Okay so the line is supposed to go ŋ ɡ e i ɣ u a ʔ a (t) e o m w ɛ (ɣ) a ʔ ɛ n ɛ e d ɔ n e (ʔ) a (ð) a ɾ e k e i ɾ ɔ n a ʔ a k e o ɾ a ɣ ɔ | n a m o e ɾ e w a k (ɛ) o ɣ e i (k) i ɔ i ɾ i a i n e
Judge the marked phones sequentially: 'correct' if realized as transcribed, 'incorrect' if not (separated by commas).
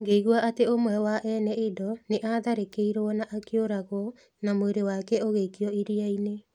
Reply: correct, incorrect, correct, correct, correct, correct